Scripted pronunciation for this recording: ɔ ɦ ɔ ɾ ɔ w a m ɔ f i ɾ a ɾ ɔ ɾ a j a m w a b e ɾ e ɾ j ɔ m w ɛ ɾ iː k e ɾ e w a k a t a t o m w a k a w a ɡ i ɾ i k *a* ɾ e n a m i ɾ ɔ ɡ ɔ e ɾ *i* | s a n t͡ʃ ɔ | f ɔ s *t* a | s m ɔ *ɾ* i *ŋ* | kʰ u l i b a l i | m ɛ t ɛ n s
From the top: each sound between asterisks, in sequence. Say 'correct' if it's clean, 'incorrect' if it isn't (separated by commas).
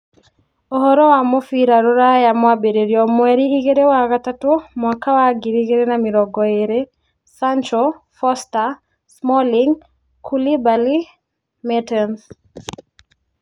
incorrect, incorrect, correct, incorrect, correct